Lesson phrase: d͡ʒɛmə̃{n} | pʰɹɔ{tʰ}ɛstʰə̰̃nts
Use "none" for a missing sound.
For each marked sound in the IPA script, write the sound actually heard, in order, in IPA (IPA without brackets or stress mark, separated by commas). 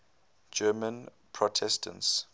n, tʰ